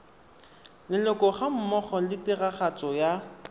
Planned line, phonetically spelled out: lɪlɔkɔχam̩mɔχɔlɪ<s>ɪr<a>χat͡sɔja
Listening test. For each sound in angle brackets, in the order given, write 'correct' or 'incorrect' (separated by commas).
incorrect, correct